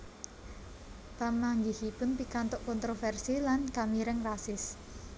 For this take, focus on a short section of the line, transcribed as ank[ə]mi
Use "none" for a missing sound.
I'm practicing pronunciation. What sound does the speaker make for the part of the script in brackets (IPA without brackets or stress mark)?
a